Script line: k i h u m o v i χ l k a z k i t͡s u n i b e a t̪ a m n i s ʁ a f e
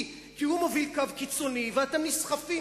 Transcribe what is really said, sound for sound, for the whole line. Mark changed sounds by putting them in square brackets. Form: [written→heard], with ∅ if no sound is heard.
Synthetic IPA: k i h u m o v i [χ→∅] l k a [z→v] k i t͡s [u→o] n i [b→v] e a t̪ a m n i s [ʁ→χ] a f [e→i]